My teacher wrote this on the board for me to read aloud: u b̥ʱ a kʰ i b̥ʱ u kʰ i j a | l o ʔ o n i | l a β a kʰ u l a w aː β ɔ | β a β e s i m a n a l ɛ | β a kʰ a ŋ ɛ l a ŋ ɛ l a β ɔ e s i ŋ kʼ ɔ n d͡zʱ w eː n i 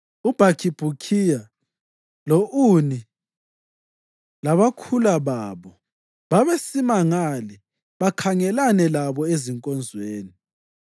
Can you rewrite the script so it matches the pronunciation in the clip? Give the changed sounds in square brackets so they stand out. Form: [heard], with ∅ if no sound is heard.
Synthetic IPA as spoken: u b̥ʱ a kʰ i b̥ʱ u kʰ i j a | l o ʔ [u] n i | l a β a kʰ u l a [β] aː β ɔ | β a β e s i m a [ŋ] a l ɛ | β a kʰ a ŋ ɛ l a [n] ɛ l a β ɔ e [z] i ŋ kʼ ɔ n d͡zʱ w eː n i